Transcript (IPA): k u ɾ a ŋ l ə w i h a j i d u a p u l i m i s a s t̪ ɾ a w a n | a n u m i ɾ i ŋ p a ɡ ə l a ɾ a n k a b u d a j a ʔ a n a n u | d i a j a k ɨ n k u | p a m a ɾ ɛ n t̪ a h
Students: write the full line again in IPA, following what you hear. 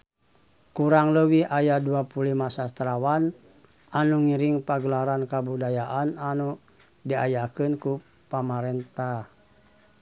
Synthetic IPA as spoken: k u ɾ a ŋ l ə w i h a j a d u a p u l i m a s a s t̪ ɾ a w a n | a n u ŋ i ɾ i ŋ p a ɡ ə l a ɾ a n k a b u d a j a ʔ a n a n u | d i a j a k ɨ n k u | p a m a ɾ ɛ n t̪ a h